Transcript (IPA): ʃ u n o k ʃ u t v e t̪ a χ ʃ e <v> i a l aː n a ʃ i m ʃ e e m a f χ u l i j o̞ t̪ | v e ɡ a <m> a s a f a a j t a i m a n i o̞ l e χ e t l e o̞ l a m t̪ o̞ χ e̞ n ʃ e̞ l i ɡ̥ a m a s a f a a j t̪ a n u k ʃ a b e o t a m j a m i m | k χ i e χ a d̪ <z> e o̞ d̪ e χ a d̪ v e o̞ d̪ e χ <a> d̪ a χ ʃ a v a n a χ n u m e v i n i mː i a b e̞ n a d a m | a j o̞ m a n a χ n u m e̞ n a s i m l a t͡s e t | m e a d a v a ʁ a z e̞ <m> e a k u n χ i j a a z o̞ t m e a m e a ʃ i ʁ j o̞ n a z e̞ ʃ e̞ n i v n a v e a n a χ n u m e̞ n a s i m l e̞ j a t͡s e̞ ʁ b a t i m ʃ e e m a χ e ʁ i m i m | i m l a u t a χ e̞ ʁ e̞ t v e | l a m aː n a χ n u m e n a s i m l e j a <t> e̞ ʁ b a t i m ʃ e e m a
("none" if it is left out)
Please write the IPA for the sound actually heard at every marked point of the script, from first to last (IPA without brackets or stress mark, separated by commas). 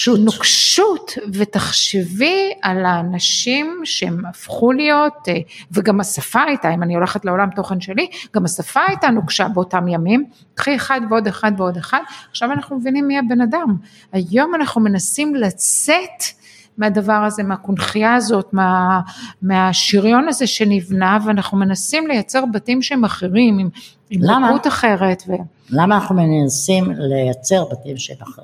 v, m, v, a, m, t͡s